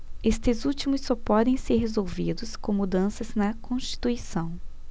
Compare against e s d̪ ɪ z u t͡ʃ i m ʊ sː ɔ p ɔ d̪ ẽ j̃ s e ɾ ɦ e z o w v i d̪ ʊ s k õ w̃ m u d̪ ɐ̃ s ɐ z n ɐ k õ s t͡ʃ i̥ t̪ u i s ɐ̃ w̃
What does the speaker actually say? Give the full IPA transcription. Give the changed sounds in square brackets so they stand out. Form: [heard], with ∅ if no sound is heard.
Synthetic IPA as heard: e s [t̪] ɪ z u t͡ʃ i m ʊ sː ɔ p ɔ d̪ ẽ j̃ s e ɾ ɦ e z o w v i d̪ ʊ s k õ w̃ m u d̪ ɐ̃ s ɐ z n ɐ k õ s t͡ʃ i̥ t̪ u i s ɐ̃ w̃